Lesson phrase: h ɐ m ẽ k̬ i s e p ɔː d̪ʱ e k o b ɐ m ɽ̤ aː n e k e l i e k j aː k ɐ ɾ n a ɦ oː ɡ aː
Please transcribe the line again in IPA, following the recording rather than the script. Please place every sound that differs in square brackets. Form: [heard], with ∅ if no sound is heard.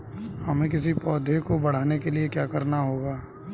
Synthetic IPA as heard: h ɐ m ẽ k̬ [ɪ] s [i] p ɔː d̪ʱ e k o b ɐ [∅] ɽ̤ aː n e k e l i e k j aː k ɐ ɾ n a ɦ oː ɡ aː